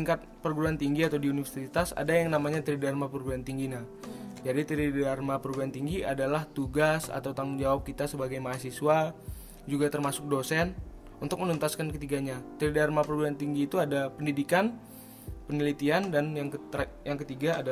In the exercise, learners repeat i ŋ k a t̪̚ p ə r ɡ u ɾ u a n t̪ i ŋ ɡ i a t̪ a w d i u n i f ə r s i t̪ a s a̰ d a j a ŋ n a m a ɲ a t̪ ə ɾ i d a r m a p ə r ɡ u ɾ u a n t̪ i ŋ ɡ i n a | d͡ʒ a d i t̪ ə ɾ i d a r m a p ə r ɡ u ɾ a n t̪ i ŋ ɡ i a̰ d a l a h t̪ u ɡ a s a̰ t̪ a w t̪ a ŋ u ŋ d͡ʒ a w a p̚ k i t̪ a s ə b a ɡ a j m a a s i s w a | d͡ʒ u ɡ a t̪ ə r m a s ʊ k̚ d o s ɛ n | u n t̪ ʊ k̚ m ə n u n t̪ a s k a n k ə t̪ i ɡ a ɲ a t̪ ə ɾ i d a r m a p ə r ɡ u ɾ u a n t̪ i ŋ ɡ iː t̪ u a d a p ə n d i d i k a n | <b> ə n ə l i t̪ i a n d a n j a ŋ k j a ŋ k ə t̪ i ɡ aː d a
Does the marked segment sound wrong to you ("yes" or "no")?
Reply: yes